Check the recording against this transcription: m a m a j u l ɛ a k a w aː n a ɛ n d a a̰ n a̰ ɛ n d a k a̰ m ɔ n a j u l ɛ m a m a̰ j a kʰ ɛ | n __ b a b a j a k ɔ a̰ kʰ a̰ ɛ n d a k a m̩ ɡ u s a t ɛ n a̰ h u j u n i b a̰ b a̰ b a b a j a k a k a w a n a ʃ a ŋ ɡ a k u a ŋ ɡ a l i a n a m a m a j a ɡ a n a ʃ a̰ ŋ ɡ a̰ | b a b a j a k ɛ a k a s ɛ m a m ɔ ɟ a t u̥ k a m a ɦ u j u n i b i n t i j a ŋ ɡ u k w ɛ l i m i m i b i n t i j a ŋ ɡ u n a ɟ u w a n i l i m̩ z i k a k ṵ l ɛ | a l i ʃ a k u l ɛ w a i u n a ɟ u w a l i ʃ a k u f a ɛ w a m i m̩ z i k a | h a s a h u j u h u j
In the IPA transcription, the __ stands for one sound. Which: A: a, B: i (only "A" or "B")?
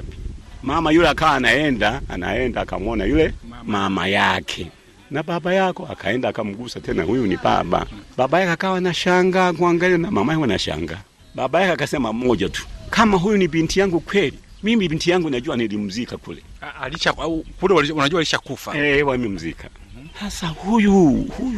A